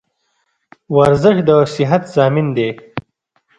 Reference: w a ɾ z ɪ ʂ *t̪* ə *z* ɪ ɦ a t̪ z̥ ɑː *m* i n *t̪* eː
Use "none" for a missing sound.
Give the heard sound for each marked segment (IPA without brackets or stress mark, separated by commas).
d̪, s, m, d̪